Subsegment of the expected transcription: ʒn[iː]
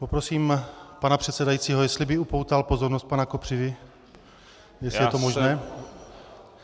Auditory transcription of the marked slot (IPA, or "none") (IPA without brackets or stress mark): ɛː